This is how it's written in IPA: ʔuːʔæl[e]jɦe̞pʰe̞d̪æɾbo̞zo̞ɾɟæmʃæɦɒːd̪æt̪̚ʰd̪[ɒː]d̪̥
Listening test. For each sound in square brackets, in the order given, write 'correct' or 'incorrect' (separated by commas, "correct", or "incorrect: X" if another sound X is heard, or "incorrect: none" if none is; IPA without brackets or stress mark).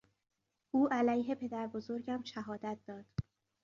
incorrect: æ, correct